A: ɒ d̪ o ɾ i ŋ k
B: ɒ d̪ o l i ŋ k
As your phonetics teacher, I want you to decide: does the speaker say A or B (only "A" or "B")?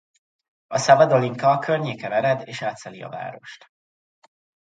B